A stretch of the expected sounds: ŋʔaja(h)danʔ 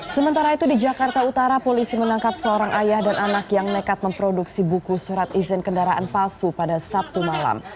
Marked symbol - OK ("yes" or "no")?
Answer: yes